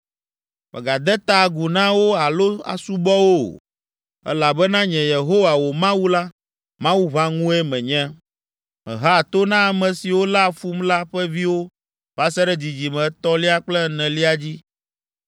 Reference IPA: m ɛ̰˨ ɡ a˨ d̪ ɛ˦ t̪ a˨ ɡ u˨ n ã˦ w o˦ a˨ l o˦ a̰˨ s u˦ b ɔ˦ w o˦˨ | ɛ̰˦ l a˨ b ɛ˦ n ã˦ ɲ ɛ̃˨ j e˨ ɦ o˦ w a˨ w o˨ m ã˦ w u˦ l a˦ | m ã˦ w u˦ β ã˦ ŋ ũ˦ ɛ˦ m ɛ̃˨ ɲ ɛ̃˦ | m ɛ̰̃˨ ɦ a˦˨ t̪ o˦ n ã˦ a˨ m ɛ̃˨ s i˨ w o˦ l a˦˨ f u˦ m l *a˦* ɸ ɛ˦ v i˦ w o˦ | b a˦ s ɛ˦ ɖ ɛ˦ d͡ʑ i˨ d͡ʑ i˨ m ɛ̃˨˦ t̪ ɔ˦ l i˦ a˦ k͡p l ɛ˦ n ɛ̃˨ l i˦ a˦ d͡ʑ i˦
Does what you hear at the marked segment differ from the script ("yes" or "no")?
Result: no